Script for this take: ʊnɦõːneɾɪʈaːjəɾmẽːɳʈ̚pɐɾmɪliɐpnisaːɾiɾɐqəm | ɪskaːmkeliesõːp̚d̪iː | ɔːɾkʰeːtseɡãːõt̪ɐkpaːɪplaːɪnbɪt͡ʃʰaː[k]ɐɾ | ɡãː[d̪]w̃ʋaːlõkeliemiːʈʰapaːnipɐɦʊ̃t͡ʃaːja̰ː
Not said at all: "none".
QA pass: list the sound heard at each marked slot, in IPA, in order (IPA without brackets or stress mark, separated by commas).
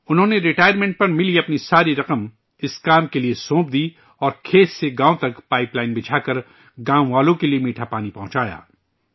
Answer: k, none